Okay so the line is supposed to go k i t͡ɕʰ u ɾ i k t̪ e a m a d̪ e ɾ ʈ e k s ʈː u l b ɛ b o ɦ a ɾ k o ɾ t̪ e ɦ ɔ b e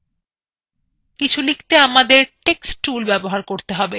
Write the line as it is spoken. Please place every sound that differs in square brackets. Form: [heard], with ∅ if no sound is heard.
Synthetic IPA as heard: k i t͡ɕʰ u [l] i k t̪ e a m a d̪ e ɾ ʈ e k s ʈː u l b ɛ b o ɦ a ɾ k o ɾ t̪ e ɦ ɔ b e